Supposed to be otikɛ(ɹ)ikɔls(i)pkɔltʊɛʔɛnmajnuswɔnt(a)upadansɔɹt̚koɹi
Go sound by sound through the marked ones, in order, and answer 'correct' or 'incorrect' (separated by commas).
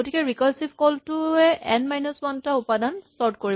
correct, correct, correct